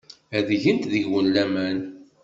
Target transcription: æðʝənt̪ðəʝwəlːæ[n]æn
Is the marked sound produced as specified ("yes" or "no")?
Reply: no